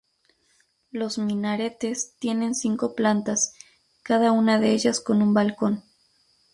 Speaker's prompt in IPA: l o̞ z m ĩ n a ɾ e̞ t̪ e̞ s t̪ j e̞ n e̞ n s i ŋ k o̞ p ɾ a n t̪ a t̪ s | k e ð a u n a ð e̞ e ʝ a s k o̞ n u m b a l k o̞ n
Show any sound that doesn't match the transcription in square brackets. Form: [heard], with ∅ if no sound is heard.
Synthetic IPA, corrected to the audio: l o̞ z m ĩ n a ɾ e̞ t̪ e̞ s t̪ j e̞ n e̞ n s i ŋ k o̞ p [l] a n t̪ a [∅] s | k [a] ð a u n a ð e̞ e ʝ a s k o̞ n u m b a l k o̞ n

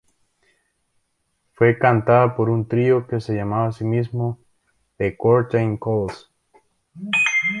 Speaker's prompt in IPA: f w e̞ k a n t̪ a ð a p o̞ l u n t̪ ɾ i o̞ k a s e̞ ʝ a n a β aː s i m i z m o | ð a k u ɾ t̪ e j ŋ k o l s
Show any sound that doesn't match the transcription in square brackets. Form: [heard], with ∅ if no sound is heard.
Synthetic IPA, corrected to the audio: f w e̞ k a n t̪ a ð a p o̞ [ɾ] u n t̪ ɾ i o̞ k [e] s e̞ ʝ a [m] a β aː s i m i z m o | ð [e] k [o] ɾ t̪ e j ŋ k o l s

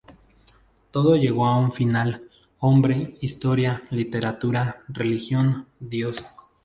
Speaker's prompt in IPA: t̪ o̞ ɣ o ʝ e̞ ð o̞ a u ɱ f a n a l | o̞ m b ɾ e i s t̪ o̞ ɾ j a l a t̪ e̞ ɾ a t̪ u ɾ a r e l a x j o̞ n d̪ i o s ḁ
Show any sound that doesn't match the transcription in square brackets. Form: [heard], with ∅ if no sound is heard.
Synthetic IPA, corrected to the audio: t̪ o̞ [ð] o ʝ e̞ [ɣ] o̞ a u ɱ f [i] n a l | o̞ m b ɾ e i s t̪ o̞ ɾ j a l [i] t̪ e̞ ɾ a t̪ u ɾ a r e l [i] x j o̞ n d̪ [j] o s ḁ

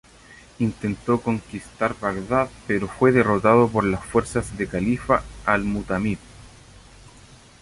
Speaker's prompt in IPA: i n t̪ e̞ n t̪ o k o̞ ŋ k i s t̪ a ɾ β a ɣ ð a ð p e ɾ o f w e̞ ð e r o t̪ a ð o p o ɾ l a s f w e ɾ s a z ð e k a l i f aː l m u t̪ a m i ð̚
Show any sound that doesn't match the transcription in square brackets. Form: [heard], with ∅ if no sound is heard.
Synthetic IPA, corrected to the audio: i n t̪ e̞ n t̪ o k o̞ ŋ k i s t̪ a ɾ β a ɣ ð a ð p e ɾ o f w e̞ ð e r o t̪ a ð o p o ɾ l a s f w e ɾ s a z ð e k a l i f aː l m u t̪ a m i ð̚

